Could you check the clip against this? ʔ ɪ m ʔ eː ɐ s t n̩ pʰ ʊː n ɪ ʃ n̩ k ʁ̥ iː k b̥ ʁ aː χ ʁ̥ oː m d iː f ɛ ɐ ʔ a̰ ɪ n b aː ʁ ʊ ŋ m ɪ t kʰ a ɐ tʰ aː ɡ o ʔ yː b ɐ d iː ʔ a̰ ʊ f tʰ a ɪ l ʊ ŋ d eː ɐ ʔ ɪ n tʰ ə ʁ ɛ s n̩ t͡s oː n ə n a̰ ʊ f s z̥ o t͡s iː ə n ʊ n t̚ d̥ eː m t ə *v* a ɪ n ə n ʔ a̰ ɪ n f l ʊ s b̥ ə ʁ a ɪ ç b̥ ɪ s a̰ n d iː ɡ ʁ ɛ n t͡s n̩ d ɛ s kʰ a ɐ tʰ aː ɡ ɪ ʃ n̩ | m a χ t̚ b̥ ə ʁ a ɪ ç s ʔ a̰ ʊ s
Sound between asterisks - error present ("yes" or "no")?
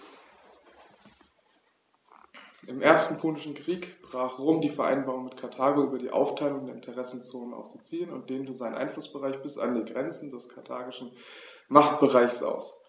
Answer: yes